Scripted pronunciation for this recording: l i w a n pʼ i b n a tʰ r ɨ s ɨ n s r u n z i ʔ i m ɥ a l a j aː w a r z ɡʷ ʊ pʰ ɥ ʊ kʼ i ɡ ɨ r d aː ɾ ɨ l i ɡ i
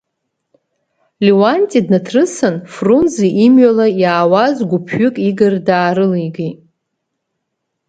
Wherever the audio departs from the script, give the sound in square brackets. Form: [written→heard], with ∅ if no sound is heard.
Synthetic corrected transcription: l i w a n [pʼ→tʼ] i [b→d] n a tʰ r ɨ s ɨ n [s→f] r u n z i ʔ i m ɥ a l a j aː w a [r→∅] z ɡʷ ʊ pʰ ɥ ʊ kʼ i ɡ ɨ r d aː ɾ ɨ l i ɡ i